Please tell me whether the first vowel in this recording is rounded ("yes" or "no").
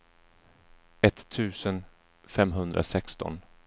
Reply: no